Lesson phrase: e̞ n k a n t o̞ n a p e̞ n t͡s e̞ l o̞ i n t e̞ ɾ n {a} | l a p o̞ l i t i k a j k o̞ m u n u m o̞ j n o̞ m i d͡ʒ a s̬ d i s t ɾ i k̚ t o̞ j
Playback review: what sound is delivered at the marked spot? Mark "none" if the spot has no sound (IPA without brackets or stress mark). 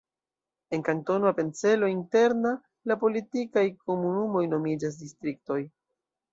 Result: a